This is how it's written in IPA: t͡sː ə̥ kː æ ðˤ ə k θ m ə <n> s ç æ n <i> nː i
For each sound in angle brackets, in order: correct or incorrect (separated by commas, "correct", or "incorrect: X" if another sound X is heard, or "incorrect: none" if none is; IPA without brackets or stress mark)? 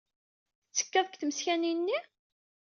incorrect: none, correct